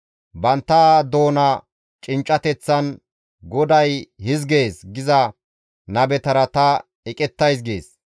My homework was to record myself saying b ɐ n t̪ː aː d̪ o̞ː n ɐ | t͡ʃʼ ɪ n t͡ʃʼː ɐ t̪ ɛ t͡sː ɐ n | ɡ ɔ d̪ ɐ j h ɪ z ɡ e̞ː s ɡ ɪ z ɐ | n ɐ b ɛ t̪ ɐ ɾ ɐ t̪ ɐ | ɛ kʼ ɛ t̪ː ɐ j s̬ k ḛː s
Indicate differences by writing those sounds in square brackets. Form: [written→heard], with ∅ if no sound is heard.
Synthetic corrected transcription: b ɐ n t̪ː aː d̪ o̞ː n ɐ | t͡ʃʼ ɪ n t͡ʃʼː ɐ t̪ ɛ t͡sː ɐ n | ɡ ɔ d̪ ɐ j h ɪ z ɡ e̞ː s ɡ ɪ z ɐ | n ɐ b ɛ t̪ ɐ ɾ ɐ t̪ ɐ | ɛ kʼ ɛ t̪ː ɐ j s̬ [k→ɡ] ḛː s